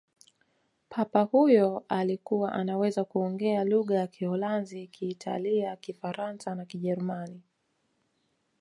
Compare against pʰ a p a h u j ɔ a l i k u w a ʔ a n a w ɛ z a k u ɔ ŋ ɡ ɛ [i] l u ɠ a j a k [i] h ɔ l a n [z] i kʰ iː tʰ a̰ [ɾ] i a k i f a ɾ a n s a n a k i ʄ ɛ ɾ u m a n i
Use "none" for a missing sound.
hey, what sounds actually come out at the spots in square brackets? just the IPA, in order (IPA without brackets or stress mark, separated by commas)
a, i, z, l